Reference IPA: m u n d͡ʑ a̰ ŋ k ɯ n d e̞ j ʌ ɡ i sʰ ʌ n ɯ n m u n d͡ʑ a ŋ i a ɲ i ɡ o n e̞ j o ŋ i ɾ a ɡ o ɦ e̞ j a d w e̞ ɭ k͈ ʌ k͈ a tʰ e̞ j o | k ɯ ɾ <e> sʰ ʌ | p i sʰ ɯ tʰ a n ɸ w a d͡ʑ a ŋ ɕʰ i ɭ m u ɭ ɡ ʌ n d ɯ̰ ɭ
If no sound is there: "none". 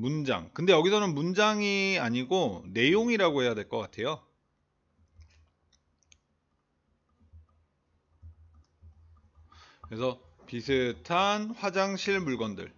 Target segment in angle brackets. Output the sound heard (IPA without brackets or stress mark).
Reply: e